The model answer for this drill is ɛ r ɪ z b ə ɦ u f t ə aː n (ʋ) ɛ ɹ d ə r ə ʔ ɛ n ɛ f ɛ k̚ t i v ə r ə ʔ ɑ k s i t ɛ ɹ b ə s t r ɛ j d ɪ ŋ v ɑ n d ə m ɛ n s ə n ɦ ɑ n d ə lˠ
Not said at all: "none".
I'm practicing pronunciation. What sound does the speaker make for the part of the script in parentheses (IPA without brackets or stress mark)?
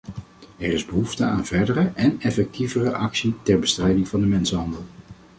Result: v